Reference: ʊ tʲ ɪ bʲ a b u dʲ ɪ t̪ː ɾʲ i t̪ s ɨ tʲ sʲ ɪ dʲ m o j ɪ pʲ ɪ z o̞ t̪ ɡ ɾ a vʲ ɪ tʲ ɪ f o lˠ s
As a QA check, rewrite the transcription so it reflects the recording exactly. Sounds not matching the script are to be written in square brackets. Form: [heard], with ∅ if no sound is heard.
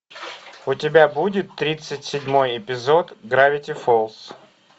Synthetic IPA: ʊ tʲ ɪ bʲ a b u dʲ ɪ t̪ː ɾʲ i t̪ s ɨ tʲ sʲ ɪ dʲ m o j ɪ pʲ ɪ z o̞ t̪ ɡ ɾ a vʲ ɪ tʲ ɪ f o lˠ s